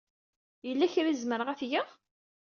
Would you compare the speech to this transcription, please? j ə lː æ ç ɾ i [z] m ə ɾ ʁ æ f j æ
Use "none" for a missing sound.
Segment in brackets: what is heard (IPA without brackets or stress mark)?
z